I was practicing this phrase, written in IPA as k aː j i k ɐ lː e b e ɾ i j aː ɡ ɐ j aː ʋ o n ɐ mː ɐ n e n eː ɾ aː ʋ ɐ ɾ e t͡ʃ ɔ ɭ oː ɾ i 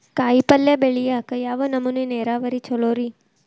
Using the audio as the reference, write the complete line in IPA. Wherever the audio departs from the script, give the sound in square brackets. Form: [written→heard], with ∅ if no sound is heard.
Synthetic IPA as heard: k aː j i [k→p] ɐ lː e b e [ɾ→ɭ] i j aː [ɡ→k] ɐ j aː ʋ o n ɐ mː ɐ n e n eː ɾ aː ʋ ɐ ɾ [e→i] t͡ʃ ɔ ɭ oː ɾ i

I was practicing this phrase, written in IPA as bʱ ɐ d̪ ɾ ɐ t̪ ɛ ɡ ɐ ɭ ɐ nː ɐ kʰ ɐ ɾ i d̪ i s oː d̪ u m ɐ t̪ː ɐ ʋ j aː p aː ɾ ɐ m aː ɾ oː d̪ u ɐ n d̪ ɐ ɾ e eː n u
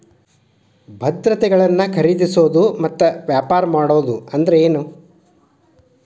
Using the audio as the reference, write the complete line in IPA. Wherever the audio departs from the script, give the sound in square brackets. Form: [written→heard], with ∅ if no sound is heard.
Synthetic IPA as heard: bʱ ɐ d̪ ɾ ɐ t̪ ɛ ɡ ɐ ɭ ɐ nː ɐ kʰ ɐ ɾ i d̪ i s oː d̪ u m ɐ t̪ː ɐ ʋ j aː p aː ɾ ɐ m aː [ɾ→ɽ] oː d̪ u ɐ n d̪ ɐ ɾ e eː n u

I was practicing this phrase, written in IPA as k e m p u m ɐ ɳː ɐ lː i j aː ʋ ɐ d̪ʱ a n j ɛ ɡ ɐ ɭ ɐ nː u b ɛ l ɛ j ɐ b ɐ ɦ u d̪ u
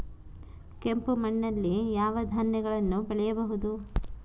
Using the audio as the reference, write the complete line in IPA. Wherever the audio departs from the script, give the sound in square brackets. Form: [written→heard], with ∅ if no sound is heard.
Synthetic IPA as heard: k e m p u m ɐ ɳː ɐ lː i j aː ʋ ɐ d̪ʱ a n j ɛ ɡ ɐ ɭ ɐ nː u b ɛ [l→ɭ] ɛ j ɐ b ɐ ɦ u d̪ u

